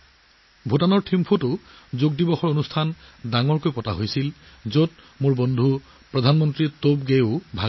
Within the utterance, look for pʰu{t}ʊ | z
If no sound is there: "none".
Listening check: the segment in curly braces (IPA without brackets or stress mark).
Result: t